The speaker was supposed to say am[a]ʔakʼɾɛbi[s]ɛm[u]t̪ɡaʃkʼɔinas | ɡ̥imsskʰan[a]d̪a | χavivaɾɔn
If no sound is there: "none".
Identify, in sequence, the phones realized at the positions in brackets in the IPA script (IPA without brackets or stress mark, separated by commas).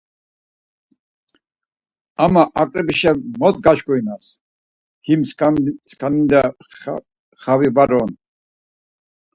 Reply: a, ʃ, ɔ, i